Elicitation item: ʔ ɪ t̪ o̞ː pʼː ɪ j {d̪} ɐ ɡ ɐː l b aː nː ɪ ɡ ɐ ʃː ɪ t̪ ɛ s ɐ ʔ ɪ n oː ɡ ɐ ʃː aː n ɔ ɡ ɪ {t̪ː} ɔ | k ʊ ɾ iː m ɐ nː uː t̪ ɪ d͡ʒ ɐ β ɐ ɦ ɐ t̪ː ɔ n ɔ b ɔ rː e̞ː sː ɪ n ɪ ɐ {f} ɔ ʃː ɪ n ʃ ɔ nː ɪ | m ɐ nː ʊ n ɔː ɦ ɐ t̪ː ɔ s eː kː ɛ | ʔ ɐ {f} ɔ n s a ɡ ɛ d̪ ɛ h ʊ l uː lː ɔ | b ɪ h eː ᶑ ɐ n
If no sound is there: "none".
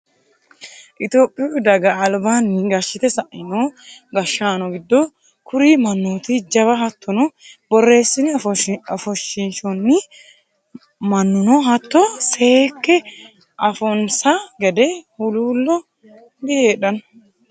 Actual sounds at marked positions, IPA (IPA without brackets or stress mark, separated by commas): d̪, d̪ː, f, f